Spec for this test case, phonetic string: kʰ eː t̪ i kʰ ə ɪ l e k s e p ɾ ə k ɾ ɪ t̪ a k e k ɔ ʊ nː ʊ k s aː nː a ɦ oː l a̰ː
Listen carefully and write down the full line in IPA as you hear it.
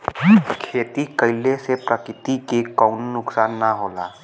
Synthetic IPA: kʰ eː t̪ i k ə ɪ l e s e p ɾ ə k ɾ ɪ t̪ i k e k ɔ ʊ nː ʊ k s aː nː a ɦ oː l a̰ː